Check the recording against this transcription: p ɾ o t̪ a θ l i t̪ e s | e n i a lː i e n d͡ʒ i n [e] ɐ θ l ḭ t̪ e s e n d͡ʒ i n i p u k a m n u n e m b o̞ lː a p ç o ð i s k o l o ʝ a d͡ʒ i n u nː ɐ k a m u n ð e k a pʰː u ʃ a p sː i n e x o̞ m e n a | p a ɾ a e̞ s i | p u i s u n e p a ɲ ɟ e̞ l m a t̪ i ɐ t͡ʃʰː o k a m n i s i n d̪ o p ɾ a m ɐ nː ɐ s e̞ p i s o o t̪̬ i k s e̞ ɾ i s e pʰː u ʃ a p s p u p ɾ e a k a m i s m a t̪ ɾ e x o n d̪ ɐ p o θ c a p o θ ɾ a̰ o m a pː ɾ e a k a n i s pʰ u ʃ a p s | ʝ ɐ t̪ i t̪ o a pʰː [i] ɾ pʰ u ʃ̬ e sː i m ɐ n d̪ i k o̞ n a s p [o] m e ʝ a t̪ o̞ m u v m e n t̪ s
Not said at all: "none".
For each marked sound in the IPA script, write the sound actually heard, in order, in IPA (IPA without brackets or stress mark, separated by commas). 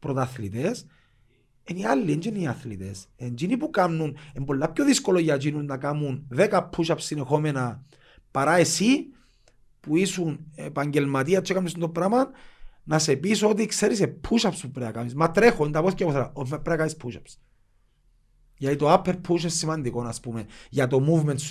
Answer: i, e, u